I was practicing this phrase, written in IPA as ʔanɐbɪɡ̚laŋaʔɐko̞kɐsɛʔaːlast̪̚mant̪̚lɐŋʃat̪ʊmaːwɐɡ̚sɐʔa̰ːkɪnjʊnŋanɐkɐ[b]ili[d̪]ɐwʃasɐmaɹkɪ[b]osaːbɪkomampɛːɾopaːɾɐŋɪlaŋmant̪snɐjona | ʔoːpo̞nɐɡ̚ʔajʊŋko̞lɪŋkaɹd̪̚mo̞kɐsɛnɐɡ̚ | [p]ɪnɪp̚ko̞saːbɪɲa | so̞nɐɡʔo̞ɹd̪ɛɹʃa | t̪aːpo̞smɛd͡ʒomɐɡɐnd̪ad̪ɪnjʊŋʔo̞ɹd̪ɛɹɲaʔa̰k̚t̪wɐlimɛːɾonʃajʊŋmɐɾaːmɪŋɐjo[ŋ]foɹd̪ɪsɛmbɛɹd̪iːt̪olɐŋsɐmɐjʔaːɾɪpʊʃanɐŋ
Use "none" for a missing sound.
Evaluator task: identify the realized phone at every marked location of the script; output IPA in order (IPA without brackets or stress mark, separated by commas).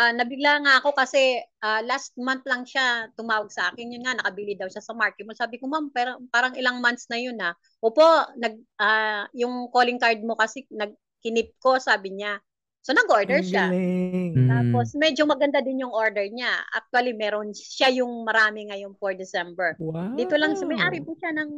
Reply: b, d̪, m, k, n